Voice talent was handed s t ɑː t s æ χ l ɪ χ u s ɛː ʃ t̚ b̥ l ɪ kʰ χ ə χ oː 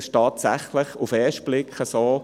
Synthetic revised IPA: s t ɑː t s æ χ l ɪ χ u f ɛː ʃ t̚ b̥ l ɪ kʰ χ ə s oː